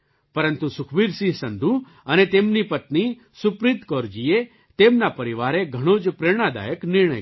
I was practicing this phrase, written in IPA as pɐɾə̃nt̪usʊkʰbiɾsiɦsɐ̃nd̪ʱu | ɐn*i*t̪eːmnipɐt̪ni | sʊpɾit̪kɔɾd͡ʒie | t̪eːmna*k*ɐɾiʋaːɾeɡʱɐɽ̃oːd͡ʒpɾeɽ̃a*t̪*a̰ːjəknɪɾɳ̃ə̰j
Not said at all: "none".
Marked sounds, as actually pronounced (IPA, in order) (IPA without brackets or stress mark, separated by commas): e, p, d̪